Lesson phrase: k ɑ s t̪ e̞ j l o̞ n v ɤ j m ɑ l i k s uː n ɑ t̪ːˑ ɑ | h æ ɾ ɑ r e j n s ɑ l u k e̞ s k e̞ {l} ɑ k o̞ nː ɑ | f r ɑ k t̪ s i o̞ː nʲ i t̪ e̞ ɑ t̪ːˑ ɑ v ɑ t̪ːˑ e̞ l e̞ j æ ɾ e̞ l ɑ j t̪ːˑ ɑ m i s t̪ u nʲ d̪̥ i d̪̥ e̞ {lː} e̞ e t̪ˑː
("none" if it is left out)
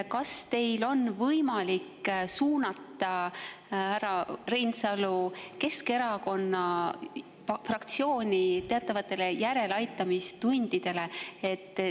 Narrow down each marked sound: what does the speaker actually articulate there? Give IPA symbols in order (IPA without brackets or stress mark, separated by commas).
ɾ, l